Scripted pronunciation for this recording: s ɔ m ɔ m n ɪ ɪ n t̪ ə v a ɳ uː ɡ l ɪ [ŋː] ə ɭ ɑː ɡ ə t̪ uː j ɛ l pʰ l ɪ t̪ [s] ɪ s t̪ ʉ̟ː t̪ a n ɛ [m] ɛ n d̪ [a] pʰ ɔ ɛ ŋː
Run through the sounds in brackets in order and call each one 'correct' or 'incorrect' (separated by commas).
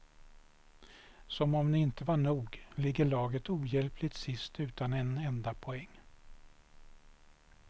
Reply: incorrect, correct, incorrect, correct